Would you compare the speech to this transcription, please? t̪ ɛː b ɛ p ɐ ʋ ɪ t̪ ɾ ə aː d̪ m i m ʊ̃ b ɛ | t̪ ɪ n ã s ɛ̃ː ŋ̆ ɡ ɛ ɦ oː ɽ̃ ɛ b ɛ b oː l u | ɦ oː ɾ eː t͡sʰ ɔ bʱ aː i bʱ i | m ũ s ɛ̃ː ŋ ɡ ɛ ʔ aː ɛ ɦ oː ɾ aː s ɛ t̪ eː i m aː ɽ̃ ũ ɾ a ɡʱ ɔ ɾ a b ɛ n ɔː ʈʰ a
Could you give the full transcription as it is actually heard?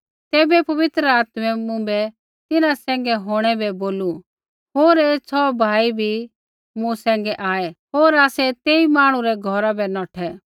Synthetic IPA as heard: t̪ ɛː b ɛ p ɐ ʋ ɪ t̪ ɾ ə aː t̪ m ɛ m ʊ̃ b ɛ | t̪ ɪ n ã s ɛ̃ː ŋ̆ ɡ ɛ ɦ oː ɽ̃ ɛ b ɛ b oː l u | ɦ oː ɾ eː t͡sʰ ɔ bʱ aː i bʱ i | m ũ s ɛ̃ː ŋ ɡ ɛ ʔ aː ɛ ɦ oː ɾ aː s ɛ t̪ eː i m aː ɽ̃ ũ ɾ ɛ ɡʱ ɔ ɾ a b ɛ n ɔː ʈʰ ɛ